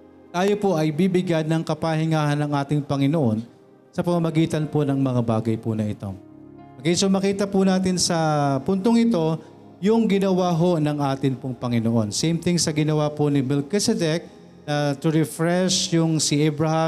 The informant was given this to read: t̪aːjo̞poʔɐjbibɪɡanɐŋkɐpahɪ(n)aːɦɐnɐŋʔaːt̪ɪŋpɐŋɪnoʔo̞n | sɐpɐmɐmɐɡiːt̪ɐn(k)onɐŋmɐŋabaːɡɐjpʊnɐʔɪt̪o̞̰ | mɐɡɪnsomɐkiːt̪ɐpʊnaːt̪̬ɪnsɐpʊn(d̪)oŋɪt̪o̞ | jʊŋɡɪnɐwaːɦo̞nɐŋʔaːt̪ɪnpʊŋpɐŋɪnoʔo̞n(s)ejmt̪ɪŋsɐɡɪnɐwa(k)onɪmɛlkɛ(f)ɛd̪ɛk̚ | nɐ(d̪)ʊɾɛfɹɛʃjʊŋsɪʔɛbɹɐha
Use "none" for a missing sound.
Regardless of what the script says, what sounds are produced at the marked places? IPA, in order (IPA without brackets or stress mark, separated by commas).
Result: ŋ, p, t̪, s, p, s, t̪